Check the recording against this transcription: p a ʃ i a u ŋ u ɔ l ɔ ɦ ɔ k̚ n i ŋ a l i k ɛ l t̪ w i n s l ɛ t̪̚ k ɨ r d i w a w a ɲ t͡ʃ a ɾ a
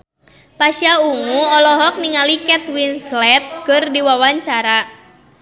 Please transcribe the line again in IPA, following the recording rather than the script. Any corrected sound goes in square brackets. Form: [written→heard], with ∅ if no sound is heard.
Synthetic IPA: p a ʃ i a u ŋ u ɔ l ɔ ɦ ɔ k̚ n i ŋ a l i k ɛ [l→∅] t̪ w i n s l ɛ t̪̚ k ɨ r d i w a w a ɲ t͡ʃ a ɾ a